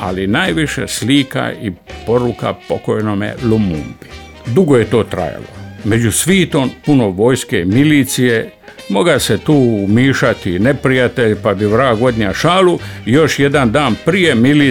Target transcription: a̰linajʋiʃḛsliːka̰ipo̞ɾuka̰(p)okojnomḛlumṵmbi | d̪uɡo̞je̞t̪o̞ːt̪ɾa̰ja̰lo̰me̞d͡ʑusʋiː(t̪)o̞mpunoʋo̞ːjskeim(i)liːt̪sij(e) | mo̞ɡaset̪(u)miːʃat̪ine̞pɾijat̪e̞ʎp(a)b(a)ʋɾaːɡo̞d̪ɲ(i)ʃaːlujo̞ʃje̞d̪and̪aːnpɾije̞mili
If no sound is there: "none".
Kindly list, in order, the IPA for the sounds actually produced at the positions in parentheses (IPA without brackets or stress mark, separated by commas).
p, t̪, i, e, uː, a, i, a